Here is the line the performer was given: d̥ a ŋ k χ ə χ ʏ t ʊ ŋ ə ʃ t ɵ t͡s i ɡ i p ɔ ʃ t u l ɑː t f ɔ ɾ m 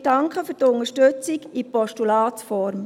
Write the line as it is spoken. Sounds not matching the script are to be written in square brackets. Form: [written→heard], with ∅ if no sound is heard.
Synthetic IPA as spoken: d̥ [a→ɑ] ŋ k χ ə [χ→f] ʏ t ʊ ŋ ə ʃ t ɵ t͡s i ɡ i p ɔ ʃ t u l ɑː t f ɔ ɾ m